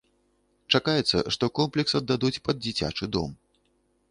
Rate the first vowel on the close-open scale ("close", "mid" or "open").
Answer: open